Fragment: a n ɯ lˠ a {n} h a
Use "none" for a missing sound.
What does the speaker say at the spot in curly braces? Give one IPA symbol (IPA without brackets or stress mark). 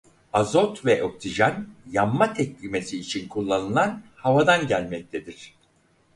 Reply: n